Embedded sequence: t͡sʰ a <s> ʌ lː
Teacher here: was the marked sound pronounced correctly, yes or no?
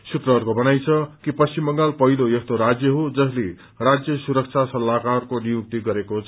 yes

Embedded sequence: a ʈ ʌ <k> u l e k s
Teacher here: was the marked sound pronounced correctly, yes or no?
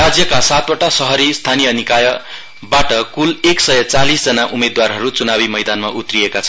yes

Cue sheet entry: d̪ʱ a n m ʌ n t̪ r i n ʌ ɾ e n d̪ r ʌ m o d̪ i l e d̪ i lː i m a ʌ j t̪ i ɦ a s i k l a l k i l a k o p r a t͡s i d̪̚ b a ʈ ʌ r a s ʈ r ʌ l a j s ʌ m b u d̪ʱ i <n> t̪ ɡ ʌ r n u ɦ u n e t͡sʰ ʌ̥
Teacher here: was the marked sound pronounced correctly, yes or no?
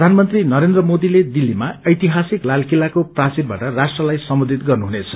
no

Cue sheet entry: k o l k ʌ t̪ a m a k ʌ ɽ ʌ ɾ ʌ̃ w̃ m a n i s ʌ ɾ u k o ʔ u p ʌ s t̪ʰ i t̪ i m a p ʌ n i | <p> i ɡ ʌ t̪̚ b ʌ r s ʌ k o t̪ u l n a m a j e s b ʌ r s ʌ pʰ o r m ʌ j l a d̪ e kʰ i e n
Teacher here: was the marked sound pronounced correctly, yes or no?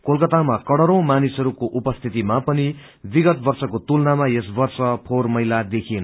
no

